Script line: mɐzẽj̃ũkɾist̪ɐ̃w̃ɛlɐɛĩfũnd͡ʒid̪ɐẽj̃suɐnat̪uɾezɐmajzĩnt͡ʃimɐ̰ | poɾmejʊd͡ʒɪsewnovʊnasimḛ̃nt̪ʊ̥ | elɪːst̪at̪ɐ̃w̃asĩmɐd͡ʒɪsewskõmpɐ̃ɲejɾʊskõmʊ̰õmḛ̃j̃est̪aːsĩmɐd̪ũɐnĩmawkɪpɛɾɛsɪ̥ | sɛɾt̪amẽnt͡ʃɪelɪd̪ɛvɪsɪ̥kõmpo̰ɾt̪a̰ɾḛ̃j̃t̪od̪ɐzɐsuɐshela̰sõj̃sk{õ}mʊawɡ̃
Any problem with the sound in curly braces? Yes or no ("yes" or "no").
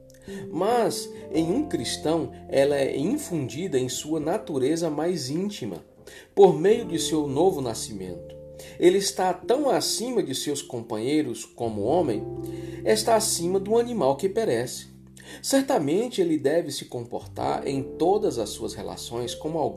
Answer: no